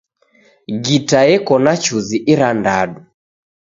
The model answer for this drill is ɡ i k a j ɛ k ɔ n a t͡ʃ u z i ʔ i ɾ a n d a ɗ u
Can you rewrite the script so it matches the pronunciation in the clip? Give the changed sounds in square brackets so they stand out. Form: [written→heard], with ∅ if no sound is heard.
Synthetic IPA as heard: ɡ i [k→t] a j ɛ k ɔ n a t͡ʃ u z i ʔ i ɾ a n d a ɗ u

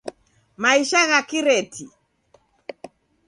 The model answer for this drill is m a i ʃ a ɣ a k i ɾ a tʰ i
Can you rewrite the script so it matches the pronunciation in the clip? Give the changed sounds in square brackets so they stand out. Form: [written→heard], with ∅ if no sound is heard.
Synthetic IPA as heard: m a i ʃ a ɣ a k i ɾ [a→ɛ] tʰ i

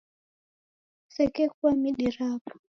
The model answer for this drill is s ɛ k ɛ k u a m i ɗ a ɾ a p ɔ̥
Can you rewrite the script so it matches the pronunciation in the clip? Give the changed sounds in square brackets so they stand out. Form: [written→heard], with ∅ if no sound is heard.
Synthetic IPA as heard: s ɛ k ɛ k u a m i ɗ [a→i] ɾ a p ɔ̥

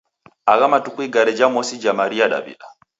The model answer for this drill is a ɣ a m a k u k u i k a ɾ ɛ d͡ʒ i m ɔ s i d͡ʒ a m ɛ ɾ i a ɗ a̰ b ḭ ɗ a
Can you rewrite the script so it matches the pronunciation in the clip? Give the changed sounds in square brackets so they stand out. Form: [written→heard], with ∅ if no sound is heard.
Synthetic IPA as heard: a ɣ a m a [k→t] u k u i [k→ɡ] a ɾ ɛ d͡ʒ [i→a] m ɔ s i d͡ʒ a m [ɛ→a] ɾ i a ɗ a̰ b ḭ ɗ a

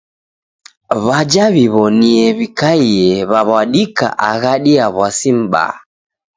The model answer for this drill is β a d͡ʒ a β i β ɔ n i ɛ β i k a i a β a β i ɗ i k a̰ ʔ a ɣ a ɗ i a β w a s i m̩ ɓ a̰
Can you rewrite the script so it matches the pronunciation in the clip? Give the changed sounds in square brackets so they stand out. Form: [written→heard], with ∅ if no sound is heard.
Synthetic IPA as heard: β a d͡ʒ a β i β ɔ n i ɛ β i k a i [a→ɛ] β a β [i→a] ɗ i k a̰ ʔ a ɣ a ɗ i a β w a s i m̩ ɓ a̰

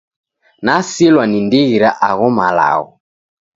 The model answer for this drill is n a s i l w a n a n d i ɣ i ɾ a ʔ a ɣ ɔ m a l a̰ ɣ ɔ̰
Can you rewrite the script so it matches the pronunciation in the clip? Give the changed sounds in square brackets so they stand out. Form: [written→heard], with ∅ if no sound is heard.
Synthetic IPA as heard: n a s i l w a n [a→i] n d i ɣ i ɾ a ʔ a ɣ ɔ m a l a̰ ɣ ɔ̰

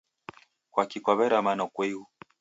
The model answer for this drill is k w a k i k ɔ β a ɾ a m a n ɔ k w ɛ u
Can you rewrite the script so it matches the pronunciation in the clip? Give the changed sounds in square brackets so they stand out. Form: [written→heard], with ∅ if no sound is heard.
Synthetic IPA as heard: k w a k i k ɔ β [a→ɛ] ɾ a m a n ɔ k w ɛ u

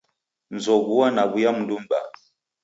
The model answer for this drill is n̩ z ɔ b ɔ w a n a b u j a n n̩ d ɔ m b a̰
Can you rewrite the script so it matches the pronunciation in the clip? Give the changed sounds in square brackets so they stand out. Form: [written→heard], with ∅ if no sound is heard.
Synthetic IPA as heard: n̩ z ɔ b [ɔ→u] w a n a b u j a [n→m] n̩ d [ɔ→u] m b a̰

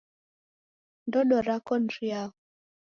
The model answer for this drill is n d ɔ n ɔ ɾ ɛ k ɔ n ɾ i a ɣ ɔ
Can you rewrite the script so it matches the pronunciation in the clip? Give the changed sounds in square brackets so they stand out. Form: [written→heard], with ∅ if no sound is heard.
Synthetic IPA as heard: n d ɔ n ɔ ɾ [ɛ→a] k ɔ n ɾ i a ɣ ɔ

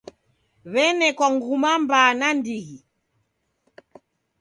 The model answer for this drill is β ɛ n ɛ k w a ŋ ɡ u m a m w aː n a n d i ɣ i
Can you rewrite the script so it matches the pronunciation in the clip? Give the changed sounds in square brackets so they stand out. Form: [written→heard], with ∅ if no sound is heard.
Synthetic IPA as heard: β ɛ n ɛ k w a ŋ ɡ u m a m [w→b] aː n a n d i ɣ i

